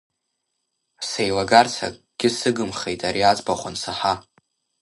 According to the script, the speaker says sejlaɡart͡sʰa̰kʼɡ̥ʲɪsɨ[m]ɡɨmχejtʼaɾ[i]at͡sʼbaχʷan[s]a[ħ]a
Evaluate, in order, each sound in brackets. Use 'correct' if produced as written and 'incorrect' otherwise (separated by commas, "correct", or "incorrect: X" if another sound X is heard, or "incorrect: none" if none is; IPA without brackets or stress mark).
incorrect: none, correct, correct, correct